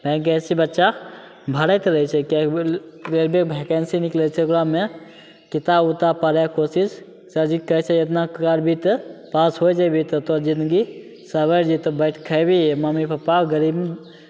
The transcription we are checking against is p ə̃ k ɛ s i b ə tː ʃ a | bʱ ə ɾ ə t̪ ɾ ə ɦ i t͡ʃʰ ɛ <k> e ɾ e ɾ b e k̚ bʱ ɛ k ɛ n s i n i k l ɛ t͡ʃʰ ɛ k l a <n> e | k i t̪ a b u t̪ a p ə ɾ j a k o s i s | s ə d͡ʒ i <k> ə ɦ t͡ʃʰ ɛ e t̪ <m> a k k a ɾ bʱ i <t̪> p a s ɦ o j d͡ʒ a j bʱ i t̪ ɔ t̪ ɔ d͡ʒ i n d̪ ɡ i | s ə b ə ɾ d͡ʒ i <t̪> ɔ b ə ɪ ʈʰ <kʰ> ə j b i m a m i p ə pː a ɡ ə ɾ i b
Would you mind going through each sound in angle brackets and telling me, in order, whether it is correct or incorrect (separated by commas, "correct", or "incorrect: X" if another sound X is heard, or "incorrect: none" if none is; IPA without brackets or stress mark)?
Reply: correct, incorrect: m, correct, incorrect: n, correct, correct, correct